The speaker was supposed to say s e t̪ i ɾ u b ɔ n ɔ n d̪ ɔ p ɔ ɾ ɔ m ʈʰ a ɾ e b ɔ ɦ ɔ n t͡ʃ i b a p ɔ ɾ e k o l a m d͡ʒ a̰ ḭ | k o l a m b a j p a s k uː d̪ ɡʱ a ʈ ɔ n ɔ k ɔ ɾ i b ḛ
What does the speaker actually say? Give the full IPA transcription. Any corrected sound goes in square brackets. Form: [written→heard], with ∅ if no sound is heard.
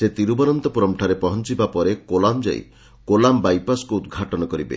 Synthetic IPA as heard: s e t̪ i ɾ u b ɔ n ɔ n [d̪→t̪] ɔ p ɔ ɾ ɔ m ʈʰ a ɾ e [b→p] ɔ ɦ ɔ n t͡ʃ i b a p ɔ ɾ e k o l a m d͡ʒ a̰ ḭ | k o l a m b a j p a s k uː d̪ ɡʱ a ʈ ɔ n ɔ k ɔ ɾ i b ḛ